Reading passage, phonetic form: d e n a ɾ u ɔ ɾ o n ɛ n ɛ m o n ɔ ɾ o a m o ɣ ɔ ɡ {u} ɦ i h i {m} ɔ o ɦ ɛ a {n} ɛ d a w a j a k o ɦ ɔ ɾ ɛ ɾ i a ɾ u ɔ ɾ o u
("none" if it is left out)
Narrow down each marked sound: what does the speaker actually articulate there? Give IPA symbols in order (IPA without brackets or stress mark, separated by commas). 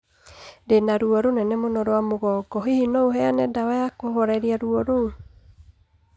ɔ, n, n